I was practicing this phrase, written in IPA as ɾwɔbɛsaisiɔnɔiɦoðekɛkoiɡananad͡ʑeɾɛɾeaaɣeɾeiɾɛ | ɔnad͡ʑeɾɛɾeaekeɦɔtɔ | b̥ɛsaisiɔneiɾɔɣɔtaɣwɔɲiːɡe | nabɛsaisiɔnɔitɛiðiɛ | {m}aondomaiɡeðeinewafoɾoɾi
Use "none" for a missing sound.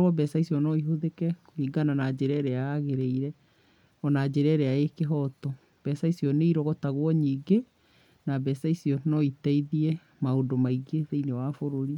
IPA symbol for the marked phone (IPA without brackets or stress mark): m